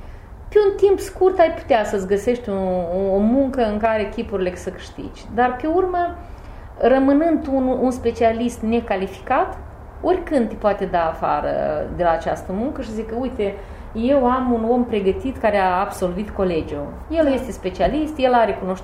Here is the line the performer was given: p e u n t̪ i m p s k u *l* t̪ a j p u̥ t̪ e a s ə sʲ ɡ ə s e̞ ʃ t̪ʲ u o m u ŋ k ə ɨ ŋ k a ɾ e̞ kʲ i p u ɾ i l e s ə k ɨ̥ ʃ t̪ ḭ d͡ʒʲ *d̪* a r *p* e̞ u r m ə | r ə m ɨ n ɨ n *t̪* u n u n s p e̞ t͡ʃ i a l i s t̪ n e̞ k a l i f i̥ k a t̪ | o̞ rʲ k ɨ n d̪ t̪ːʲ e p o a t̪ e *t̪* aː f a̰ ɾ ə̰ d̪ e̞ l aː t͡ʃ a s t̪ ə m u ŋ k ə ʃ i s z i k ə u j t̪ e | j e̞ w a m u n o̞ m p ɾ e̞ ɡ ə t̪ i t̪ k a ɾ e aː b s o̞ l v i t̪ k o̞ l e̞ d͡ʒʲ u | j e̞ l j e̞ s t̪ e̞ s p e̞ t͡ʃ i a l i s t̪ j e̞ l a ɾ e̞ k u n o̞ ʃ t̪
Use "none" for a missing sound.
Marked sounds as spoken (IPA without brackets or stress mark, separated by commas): r, d̪, p, d̪, d̪